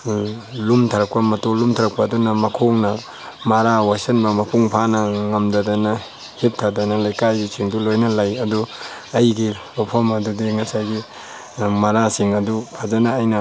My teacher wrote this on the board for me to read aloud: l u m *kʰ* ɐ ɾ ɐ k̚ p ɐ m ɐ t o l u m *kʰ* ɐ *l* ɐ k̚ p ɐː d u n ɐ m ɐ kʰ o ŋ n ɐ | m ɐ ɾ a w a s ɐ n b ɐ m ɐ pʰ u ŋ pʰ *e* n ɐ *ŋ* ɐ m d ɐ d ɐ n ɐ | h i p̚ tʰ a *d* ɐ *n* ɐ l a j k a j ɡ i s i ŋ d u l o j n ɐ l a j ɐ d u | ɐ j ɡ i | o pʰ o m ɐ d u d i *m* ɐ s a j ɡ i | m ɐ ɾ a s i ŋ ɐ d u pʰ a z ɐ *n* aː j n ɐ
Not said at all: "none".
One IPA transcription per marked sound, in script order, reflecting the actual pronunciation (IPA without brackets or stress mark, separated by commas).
tʰ, tʰ, ɾ, a, ŋ, d, n, ŋ, n